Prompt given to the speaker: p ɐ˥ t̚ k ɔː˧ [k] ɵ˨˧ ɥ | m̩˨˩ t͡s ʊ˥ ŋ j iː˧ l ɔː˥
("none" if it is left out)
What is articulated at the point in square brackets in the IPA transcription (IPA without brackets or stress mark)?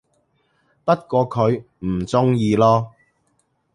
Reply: kʰ